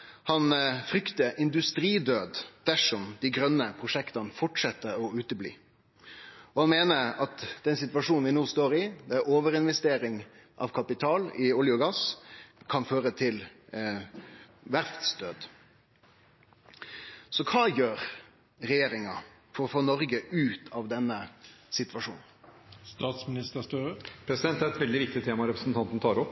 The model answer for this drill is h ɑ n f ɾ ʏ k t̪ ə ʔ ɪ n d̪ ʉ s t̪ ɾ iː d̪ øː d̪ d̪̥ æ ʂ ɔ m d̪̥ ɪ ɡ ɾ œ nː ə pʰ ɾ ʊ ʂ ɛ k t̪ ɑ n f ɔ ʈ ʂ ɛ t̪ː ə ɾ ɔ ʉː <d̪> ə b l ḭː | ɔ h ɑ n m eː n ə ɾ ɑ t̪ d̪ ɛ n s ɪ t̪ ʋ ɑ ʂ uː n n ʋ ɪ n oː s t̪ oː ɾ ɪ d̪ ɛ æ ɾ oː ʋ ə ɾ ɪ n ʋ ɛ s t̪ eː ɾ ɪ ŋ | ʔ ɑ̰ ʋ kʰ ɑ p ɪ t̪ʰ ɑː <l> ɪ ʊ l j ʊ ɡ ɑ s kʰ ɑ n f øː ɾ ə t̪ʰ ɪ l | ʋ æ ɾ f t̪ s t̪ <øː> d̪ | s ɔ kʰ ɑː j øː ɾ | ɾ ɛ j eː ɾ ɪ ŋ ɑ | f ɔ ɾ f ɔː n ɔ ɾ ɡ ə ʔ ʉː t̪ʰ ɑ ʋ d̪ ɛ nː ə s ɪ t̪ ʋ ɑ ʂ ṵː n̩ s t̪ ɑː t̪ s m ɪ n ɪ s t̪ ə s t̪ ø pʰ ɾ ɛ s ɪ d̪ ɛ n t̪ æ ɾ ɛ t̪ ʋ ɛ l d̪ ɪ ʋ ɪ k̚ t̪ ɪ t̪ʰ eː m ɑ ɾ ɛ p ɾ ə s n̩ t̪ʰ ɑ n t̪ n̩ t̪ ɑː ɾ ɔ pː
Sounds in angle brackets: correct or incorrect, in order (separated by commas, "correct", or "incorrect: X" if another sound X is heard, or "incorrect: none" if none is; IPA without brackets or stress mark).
incorrect: t̪, correct, correct